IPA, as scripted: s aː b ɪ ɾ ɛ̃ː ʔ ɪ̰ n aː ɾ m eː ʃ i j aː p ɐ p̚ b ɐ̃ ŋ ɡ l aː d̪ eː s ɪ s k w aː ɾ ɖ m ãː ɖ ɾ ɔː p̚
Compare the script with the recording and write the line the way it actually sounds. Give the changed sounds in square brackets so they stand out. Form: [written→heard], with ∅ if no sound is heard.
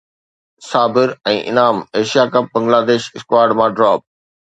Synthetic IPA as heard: s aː b ɪ ɾ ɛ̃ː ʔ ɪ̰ n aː [ɾ→∅] m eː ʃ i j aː [p→k] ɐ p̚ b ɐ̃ ŋ ɡ l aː d̪ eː [s→ʃ] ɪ s k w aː ɾ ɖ m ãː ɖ ɾ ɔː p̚